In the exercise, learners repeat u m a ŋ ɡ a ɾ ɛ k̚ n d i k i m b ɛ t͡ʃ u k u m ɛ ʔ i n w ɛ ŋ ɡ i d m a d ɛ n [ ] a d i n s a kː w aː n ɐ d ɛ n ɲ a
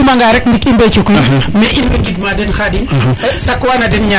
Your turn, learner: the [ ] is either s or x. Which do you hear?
x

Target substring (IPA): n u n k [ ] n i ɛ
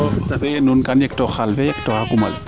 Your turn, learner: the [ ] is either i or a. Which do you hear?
a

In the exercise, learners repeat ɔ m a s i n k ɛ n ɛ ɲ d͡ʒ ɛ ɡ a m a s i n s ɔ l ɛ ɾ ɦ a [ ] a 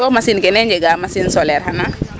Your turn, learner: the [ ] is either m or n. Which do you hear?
n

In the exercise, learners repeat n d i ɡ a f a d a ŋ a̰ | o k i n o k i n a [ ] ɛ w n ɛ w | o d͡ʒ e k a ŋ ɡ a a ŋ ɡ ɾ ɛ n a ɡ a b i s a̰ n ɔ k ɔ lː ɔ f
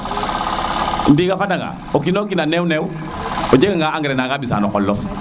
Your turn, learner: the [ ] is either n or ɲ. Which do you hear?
n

